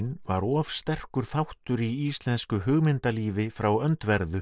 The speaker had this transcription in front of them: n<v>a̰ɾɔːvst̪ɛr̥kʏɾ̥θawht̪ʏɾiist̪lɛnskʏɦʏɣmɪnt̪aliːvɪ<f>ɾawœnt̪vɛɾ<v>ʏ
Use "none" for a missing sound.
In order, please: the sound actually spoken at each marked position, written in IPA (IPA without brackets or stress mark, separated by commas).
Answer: v, f, ð